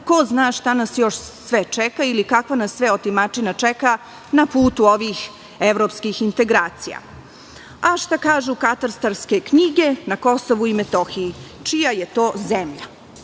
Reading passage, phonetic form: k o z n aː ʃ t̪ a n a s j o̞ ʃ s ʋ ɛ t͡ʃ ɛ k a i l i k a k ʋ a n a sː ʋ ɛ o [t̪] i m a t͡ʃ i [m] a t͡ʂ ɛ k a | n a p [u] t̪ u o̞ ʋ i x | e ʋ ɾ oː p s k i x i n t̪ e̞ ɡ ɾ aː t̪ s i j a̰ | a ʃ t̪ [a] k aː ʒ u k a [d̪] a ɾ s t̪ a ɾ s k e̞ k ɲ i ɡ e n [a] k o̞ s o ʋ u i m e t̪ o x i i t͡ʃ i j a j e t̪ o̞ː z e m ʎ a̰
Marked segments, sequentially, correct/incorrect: correct, incorrect: n, incorrect: uː, correct, incorrect: t̪, correct

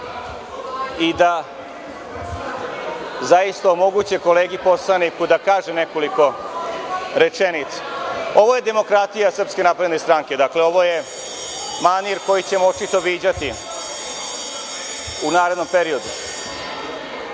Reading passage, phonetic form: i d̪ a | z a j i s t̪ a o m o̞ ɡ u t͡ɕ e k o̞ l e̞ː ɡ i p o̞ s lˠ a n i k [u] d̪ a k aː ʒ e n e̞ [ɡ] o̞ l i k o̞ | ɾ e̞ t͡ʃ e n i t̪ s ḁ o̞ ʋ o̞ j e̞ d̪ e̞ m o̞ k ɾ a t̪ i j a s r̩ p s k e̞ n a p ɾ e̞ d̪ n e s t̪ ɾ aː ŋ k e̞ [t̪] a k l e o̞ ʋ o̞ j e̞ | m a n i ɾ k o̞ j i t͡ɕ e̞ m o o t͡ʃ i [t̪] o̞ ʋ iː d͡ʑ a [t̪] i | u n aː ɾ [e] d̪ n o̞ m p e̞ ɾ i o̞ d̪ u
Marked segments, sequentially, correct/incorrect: correct, incorrect: k, incorrect: d̪, correct, correct, correct

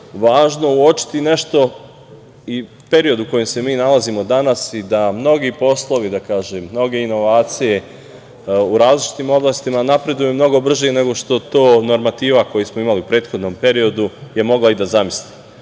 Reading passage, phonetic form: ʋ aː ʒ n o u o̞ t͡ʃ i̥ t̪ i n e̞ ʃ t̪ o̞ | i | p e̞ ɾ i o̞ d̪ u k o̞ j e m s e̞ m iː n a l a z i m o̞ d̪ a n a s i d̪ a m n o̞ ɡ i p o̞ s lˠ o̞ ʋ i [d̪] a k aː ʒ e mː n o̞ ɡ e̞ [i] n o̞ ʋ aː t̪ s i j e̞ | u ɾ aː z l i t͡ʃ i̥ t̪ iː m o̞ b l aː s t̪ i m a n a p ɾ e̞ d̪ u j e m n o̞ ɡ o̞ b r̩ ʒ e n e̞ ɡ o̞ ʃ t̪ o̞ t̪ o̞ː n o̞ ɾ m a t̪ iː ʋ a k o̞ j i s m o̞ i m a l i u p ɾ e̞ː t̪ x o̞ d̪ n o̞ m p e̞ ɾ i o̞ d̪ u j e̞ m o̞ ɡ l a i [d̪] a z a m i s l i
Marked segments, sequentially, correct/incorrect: correct, correct, correct

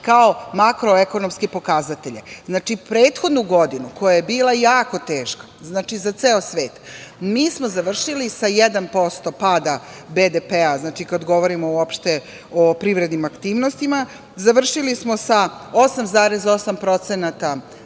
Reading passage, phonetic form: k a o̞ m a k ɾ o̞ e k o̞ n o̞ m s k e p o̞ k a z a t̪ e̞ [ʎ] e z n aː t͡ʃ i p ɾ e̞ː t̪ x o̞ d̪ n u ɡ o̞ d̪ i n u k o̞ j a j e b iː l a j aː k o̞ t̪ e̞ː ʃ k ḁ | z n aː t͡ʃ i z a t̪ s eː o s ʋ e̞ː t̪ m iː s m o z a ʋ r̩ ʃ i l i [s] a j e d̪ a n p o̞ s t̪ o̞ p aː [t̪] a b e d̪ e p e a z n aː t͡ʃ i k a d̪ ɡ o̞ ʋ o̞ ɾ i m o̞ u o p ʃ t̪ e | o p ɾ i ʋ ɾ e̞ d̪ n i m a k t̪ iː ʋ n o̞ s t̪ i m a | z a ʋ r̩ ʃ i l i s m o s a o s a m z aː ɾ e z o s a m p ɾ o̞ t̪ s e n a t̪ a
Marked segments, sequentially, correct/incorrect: correct, correct, incorrect: d̪

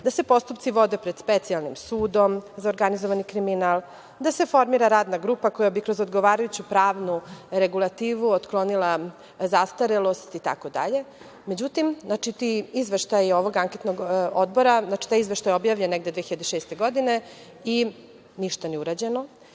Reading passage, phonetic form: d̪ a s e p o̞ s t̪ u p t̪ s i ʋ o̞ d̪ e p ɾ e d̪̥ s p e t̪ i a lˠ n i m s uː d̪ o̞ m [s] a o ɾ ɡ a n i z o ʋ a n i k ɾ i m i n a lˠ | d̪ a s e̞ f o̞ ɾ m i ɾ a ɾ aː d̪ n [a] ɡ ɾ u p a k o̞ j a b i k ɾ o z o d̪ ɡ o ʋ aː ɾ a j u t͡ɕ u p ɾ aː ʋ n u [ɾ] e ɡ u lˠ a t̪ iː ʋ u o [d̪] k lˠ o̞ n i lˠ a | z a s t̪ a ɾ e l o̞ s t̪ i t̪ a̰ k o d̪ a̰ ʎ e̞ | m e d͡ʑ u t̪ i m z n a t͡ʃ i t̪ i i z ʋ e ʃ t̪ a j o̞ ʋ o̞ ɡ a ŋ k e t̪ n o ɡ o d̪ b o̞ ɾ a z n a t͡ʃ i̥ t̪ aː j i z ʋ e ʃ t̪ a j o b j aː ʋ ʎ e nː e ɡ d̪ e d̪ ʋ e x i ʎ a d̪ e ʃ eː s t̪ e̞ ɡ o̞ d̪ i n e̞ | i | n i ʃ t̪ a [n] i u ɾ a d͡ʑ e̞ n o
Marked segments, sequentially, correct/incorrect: incorrect: z, correct, correct, incorrect: t̪, correct

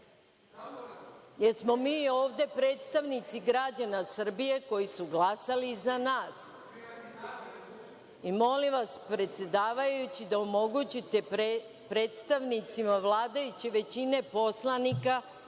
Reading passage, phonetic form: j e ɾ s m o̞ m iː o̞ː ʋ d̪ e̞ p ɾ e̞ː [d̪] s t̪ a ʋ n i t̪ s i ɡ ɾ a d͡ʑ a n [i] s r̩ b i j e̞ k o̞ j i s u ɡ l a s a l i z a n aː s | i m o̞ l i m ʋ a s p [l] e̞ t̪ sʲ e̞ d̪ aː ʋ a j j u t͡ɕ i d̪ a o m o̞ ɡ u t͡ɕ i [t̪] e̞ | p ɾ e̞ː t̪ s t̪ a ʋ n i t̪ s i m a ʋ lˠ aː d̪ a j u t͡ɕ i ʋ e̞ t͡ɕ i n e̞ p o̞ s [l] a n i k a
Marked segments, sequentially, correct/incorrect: incorrect: t̪, incorrect: a, incorrect: ɾ, correct, correct

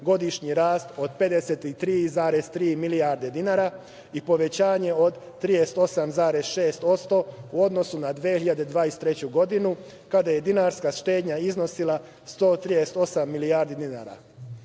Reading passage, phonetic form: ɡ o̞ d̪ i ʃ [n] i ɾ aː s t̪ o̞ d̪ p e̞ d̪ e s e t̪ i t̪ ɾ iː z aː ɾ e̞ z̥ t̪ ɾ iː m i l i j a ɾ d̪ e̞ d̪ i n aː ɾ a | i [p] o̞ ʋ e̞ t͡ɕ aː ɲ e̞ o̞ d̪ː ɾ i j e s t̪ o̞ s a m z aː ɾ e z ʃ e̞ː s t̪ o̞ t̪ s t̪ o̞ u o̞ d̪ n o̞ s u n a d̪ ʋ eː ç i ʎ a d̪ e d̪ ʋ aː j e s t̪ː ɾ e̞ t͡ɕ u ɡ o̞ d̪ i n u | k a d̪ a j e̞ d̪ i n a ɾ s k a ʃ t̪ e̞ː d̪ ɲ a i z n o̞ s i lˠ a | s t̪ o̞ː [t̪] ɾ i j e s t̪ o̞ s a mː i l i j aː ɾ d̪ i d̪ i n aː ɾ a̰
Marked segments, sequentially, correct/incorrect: incorrect: ɲ, correct, correct

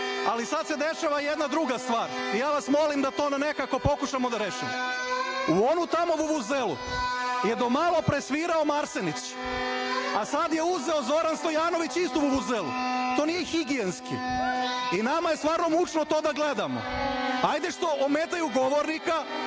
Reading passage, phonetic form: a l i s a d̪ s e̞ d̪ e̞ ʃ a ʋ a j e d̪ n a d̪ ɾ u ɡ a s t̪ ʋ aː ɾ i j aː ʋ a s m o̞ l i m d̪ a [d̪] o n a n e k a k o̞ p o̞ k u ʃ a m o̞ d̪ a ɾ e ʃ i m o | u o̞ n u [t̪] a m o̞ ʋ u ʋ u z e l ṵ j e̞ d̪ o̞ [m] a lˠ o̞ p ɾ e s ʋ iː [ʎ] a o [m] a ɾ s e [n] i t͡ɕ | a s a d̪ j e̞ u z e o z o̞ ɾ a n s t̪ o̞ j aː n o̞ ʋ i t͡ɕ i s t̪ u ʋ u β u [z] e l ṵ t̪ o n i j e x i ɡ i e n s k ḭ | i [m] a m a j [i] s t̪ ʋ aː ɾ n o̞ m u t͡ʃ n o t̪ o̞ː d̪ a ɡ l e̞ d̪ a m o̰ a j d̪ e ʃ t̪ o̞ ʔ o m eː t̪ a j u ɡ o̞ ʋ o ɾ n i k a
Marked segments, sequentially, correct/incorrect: incorrect: t̪, correct, correct, incorrect: ɾ, correct, correct, correct, incorrect: n, incorrect: e

